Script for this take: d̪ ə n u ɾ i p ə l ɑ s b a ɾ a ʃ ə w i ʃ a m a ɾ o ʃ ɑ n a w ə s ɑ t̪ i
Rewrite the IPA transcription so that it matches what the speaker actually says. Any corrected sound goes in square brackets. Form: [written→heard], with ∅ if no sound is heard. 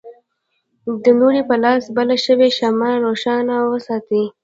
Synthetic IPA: d̪ ə n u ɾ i p ə l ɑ s b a [ɾ→l] a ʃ ə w [i→e] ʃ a m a ɾ o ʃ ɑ n a w ə s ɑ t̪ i